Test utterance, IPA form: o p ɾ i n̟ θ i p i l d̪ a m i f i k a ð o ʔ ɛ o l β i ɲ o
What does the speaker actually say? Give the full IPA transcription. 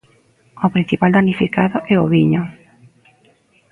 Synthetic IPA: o p ɾ i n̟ θ i p a l d̪ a n i f i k a ð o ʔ ɛ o β i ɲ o